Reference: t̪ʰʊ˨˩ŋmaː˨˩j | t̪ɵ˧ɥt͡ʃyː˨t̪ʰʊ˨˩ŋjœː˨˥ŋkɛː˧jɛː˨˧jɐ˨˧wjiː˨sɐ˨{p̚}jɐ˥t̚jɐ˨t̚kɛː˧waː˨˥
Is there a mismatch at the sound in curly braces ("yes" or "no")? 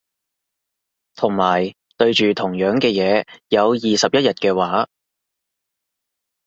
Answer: no